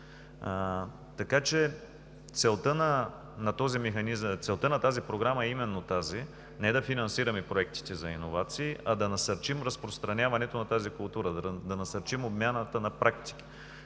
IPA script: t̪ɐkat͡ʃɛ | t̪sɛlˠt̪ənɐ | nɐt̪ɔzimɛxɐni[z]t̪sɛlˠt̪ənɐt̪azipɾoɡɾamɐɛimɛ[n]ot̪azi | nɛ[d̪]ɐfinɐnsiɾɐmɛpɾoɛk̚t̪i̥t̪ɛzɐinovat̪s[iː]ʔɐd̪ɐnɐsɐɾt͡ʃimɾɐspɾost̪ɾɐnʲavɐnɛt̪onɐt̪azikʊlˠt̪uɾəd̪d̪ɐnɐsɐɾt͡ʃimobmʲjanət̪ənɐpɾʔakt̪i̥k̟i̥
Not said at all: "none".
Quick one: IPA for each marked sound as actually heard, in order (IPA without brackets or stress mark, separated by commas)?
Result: z, nː, d̪, iː